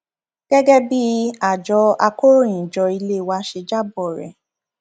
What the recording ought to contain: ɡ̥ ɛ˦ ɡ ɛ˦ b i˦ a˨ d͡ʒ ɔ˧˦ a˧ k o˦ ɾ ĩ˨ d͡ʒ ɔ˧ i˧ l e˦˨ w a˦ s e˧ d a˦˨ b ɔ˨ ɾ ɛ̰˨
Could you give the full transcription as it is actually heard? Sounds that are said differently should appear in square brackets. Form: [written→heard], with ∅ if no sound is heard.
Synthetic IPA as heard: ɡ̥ ɛ˦ ɡ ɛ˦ b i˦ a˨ d͡ʒ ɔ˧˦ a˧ k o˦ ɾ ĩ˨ d͡ʒ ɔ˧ i˧ l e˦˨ w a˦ [s→ʃ] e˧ [d→d͡ʒ] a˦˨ b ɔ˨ ɾ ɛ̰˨